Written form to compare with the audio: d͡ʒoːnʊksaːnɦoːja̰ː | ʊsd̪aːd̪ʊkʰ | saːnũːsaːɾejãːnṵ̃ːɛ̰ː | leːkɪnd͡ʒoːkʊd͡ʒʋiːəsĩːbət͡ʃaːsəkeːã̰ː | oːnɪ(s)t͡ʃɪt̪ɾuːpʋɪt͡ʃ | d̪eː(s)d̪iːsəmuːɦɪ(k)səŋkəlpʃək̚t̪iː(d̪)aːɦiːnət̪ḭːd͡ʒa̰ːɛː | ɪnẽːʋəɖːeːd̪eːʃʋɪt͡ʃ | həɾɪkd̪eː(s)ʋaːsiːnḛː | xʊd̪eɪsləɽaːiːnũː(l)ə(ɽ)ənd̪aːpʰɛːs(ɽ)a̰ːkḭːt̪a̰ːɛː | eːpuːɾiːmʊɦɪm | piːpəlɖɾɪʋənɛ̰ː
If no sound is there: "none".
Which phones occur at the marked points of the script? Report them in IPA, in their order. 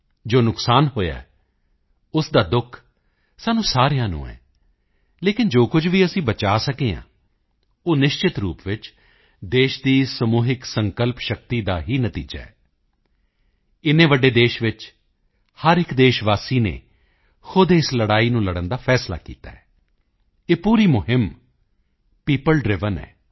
ʃ, ʃ, k, d̪, ʃ, l, ɽ, l

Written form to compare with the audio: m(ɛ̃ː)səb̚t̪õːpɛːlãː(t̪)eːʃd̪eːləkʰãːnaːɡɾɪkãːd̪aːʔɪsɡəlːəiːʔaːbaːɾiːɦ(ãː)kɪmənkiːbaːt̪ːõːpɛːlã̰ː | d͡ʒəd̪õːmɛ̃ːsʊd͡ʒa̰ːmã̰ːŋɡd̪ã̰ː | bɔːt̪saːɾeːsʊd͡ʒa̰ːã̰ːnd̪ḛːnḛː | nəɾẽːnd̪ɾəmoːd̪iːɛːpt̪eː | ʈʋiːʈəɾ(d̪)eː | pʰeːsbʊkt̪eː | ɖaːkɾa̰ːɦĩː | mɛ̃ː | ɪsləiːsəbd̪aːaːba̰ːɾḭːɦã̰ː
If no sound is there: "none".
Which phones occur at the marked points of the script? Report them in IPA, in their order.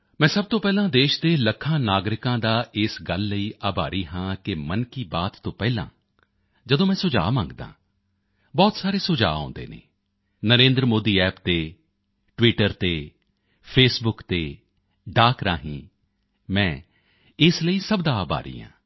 ɛ̃ː, d̪, ãː, t̪

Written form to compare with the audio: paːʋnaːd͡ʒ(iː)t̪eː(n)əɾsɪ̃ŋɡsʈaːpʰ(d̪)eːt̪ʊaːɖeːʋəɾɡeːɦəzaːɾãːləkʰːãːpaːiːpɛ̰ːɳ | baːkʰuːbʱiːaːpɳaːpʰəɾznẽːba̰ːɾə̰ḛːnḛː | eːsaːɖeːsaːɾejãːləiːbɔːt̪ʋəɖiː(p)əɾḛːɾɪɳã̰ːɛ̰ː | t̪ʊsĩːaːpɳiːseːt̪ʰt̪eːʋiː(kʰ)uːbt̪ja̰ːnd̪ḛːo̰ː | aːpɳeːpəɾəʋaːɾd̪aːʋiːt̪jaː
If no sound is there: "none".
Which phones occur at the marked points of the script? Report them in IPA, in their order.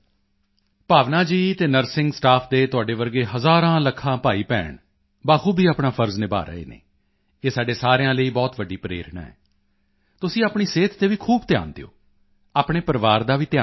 iː, n, d̪, p, kʰ

